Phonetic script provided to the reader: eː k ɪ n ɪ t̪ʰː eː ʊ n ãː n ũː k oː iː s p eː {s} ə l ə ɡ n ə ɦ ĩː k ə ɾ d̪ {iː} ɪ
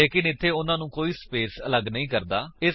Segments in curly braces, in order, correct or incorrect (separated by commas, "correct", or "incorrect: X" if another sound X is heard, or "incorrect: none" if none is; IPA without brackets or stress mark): correct, incorrect: aː